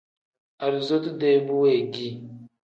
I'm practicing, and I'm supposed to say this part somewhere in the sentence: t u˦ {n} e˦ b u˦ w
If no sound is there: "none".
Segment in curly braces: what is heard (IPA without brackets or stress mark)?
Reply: d